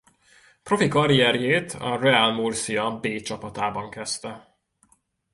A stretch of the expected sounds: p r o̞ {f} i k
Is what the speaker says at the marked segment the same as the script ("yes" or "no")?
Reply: yes